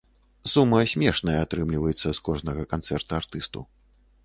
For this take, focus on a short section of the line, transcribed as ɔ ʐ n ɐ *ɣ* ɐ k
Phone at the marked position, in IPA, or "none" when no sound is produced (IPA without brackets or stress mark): ɣ